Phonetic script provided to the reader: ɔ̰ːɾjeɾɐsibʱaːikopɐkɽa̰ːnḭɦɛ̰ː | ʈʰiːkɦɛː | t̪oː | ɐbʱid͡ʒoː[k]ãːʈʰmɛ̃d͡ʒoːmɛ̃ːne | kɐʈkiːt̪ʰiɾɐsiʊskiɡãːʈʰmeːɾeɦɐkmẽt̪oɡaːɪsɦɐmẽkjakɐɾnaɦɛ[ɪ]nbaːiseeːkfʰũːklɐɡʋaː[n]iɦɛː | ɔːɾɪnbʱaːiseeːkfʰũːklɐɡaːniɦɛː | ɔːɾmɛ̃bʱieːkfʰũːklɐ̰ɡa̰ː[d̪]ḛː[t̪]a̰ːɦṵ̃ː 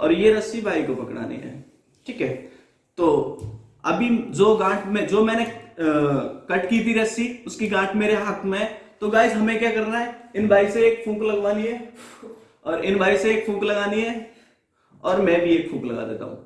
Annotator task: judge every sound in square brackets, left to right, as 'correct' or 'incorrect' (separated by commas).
incorrect, correct, correct, correct, correct